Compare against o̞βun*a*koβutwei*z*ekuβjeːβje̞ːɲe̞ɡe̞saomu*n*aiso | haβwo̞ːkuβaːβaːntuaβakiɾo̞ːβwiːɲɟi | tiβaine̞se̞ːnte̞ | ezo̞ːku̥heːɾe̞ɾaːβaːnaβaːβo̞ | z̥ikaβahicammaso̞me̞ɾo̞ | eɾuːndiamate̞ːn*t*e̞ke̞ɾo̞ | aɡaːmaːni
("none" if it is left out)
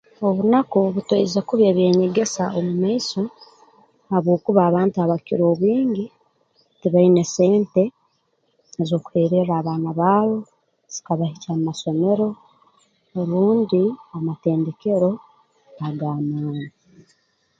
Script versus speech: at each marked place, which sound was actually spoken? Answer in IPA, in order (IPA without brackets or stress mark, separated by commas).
a, z, m, d